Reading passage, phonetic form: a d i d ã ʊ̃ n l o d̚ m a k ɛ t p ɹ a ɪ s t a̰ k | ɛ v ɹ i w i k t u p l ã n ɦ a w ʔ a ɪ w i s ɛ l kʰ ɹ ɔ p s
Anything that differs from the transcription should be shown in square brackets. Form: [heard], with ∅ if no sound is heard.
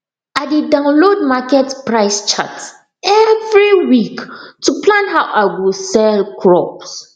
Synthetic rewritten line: a d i d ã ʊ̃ n l o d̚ m a k ɛ t p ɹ a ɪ s [t͡ʃ] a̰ [t] | ɛ v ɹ i w i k t u p l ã n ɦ a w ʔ a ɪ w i s ɛ l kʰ ɹ ɔ p s